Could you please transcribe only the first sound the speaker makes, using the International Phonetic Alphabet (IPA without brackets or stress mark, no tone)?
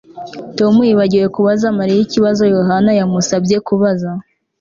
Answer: t